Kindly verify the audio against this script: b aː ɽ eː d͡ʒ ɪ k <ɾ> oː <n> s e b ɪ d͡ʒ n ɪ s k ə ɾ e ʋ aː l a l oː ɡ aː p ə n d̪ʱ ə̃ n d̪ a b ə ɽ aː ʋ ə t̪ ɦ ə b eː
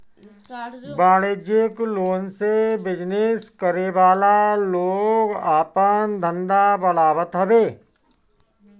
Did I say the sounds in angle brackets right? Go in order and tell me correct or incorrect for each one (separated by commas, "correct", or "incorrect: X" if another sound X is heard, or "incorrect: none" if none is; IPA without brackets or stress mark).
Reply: incorrect: l, correct